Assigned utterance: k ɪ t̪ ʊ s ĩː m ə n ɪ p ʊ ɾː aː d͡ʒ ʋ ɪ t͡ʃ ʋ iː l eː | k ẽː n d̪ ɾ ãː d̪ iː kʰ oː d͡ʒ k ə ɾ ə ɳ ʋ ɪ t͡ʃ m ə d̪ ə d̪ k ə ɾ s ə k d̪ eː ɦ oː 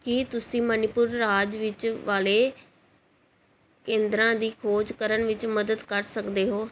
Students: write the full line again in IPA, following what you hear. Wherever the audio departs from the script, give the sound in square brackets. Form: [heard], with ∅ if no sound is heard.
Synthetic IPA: k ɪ t̪ ʊ s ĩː m ə n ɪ p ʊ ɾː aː d͡ʒ ʋ ɪ t͡ʃ ʋ [aː] l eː | k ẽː n d̪ ɾ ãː d̪ iː kʰ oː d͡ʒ k ə ɾ ə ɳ ʋ ɪ t͡ʃ m ə d̪ ə d̪ k ə ɾ s ə k d̪ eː ɦ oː